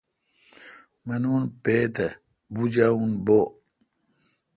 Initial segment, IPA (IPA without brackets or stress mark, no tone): m